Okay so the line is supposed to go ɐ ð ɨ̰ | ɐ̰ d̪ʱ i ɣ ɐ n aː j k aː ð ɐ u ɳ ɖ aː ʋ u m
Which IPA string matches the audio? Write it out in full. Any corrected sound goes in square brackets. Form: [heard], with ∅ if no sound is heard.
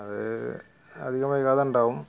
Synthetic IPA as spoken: ɐ ð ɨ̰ | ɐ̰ d̪ʱ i ɣ ɐ [m] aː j k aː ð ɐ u ɳ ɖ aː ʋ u m

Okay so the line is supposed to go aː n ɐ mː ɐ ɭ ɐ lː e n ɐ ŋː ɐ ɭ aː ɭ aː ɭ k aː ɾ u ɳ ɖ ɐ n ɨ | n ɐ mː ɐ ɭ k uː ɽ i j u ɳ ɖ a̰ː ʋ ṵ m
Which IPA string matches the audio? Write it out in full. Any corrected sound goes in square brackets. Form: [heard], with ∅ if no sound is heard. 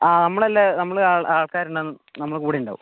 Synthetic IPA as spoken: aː n ɐ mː ɐ ɭ ɐ lː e n ɐ [mː] ɐ ɭ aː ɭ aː ɭ k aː ɾ u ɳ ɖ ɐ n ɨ | n ɐ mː ɐ ɭ k uː ɽ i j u ɳ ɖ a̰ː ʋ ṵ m

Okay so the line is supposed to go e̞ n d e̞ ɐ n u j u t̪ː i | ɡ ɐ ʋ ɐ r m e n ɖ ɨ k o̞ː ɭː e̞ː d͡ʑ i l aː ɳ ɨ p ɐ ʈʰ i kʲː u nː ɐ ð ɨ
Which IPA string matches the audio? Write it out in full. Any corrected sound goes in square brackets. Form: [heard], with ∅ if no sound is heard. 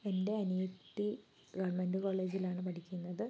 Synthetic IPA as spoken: e̞ n d e̞ ɐ n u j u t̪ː i | ɡ ɐ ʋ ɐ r m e n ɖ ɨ k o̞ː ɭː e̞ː d͡ʑ i l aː ɳ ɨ p ɐ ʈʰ i kʲː u nː ɐ ð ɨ

